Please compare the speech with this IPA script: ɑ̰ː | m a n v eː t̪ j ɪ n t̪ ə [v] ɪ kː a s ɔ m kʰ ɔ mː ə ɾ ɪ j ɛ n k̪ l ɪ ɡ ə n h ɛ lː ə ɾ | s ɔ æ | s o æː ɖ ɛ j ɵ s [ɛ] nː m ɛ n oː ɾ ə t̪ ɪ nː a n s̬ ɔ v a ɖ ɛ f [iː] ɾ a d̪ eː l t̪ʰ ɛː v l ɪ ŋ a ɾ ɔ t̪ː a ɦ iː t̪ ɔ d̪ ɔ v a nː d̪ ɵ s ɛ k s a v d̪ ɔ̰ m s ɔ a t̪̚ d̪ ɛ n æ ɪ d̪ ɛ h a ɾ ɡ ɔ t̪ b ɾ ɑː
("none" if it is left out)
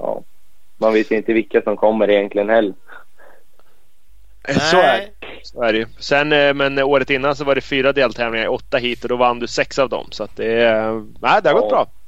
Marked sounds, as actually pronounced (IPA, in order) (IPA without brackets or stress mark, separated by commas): v, ɛ, yː